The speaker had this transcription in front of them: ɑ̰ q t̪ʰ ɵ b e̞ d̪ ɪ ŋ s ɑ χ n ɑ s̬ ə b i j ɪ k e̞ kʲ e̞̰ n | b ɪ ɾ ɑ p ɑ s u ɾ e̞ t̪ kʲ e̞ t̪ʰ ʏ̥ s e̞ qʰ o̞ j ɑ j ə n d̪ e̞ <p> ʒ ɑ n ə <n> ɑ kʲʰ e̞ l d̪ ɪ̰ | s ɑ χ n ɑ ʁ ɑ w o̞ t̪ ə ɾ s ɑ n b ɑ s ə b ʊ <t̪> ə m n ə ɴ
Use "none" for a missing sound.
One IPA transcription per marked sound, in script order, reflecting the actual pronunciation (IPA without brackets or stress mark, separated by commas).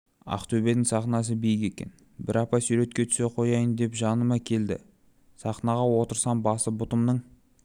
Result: p, m, t̪